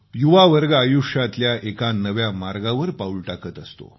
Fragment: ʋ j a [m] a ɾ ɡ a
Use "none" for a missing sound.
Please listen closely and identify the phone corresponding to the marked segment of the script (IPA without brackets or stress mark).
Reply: m